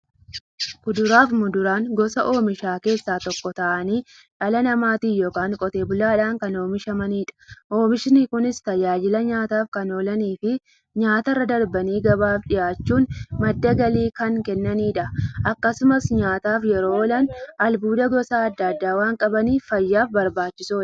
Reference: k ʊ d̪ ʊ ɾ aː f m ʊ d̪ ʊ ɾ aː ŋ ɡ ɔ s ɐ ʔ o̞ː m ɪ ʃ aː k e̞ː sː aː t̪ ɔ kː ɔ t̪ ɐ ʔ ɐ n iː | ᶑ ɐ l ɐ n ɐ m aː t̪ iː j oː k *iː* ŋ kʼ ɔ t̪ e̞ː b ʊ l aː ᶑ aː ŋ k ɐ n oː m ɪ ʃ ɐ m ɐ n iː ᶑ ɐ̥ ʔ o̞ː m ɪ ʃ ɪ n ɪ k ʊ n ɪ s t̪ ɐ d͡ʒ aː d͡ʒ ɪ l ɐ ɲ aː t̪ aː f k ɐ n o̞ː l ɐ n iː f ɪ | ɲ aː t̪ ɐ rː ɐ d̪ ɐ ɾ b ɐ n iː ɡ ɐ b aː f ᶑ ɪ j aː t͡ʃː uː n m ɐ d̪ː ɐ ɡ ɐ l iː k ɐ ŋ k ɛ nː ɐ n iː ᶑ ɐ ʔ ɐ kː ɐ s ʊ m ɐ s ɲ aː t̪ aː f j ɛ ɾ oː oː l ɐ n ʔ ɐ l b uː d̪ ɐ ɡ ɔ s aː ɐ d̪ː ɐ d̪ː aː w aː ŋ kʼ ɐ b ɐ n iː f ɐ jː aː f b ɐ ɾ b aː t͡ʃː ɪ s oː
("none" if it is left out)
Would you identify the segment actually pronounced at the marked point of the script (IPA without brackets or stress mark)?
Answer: aː